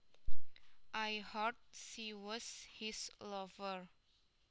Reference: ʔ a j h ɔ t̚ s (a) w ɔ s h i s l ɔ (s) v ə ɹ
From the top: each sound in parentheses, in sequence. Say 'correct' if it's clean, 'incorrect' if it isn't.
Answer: incorrect, incorrect

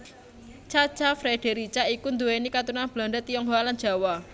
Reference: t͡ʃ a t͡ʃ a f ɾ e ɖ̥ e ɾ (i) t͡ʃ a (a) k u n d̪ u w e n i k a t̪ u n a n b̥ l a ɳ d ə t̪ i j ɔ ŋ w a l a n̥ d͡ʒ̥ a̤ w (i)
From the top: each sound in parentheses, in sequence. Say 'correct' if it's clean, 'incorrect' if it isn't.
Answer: correct, incorrect, incorrect

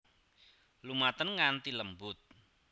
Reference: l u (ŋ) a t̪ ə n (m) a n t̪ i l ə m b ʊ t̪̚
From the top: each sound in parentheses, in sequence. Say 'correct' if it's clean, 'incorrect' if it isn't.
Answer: incorrect, incorrect

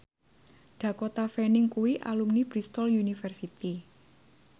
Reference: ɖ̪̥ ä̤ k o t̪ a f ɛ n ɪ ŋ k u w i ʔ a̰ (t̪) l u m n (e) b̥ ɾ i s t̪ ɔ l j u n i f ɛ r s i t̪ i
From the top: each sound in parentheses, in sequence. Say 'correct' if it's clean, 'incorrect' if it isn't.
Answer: incorrect, incorrect

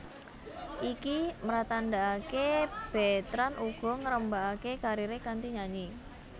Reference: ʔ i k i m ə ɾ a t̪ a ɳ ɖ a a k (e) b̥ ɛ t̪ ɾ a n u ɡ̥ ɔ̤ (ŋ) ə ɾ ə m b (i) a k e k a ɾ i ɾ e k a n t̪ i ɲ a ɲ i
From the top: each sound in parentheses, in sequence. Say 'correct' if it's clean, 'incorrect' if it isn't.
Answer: correct, correct, incorrect

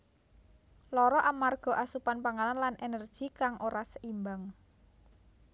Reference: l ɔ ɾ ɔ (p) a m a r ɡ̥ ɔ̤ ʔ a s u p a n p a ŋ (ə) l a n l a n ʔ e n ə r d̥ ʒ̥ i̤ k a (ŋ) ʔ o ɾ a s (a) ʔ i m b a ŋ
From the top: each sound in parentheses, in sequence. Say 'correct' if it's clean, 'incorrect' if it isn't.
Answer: incorrect, incorrect, correct, incorrect

